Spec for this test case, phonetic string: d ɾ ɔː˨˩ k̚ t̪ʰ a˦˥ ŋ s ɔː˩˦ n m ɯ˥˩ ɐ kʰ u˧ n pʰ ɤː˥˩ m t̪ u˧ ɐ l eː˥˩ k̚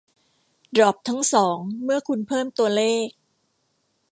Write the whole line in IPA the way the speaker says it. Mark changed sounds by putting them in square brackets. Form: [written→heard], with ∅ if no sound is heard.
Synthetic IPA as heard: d ɾ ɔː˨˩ [k̚→p̚] t̪ʰ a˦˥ ŋ s ɔː˩˦ [n→ŋ] m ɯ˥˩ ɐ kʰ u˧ n pʰ ɤː˥˩ m t̪ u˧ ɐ l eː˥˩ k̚